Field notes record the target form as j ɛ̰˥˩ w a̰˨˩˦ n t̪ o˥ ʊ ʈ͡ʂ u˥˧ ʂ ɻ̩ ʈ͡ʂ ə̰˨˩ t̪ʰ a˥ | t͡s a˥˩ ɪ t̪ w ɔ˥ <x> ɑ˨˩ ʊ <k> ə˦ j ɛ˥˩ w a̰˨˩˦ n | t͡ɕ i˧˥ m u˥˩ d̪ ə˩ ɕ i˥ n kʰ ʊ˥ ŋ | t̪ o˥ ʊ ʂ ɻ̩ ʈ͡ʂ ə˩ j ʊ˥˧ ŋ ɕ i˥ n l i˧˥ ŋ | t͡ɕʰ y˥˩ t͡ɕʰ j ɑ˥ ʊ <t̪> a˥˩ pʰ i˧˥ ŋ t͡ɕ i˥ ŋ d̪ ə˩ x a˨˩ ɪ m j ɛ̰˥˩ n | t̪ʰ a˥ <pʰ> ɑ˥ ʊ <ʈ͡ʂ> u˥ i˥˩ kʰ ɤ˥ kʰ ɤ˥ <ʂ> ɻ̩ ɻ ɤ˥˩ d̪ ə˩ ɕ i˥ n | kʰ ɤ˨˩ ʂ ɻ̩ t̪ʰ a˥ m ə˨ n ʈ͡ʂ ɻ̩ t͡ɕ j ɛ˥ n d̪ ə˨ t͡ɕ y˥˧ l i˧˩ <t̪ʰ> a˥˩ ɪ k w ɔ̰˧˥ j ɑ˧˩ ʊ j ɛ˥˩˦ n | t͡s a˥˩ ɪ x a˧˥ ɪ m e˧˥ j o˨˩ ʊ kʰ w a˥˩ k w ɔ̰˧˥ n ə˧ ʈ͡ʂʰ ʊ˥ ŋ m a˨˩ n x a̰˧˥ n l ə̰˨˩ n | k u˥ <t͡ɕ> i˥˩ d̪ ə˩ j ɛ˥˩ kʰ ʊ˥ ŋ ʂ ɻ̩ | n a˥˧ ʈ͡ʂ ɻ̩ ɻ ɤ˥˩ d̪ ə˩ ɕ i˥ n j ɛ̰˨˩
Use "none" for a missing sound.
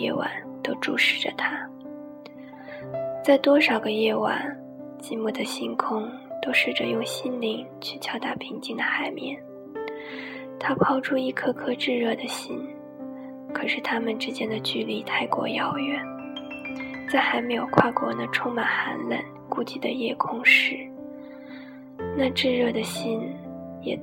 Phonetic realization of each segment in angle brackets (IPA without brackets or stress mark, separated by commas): ʂ, ɡ, t̪, pʰ, ʈ͡ʂʰ, ʈ͡ʂ, t̪ʰ, t͡ɕ